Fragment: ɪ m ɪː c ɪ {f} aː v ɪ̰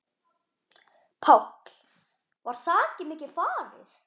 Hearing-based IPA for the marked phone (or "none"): f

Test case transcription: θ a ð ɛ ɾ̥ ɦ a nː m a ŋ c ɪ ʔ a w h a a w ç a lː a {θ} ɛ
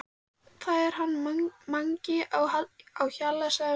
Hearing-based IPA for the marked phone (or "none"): s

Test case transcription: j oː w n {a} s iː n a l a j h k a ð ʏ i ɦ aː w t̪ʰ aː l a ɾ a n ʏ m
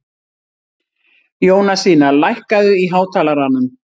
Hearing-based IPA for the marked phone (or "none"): a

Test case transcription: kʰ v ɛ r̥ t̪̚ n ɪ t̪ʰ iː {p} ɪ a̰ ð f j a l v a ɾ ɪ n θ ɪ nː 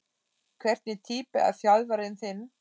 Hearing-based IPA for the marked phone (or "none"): p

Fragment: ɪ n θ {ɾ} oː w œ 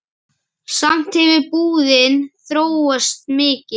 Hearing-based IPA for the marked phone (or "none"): ɾ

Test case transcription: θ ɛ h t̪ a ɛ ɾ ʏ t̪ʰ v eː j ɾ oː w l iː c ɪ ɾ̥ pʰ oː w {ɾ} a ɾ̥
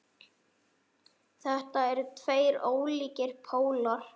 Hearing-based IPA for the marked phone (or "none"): l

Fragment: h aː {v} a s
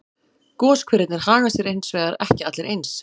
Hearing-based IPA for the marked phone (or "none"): ɣ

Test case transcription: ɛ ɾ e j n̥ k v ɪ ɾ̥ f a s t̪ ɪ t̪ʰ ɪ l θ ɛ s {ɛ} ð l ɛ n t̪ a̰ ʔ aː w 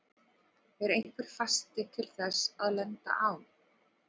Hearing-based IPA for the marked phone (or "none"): a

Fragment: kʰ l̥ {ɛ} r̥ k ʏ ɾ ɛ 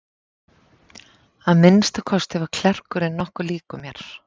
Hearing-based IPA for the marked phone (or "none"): ɛ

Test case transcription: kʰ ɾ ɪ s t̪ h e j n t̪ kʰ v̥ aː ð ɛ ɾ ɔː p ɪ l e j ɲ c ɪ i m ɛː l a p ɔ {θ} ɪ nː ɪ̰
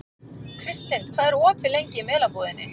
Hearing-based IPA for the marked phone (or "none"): ð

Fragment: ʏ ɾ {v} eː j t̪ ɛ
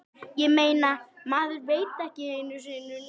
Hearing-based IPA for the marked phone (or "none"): v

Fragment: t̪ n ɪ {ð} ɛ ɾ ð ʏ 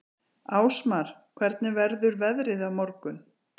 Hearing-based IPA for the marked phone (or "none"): v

